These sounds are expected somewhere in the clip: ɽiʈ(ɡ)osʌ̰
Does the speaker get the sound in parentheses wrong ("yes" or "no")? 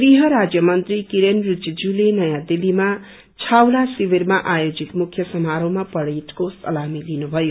yes